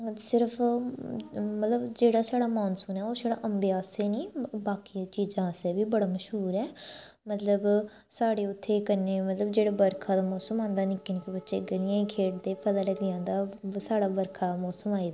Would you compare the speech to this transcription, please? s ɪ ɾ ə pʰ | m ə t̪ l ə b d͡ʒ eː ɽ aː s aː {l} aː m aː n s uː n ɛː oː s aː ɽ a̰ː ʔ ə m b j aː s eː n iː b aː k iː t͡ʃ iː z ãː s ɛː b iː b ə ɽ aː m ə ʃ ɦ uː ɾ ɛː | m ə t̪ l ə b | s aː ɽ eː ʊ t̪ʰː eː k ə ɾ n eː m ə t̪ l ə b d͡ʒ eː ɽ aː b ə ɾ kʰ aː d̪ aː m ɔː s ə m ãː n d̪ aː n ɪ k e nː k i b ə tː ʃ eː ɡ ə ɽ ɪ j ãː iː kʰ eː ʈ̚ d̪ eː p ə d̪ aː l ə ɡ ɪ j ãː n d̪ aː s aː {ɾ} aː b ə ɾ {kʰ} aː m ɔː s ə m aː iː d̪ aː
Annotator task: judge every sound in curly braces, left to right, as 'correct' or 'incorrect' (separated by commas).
incorrect, incorrect, correct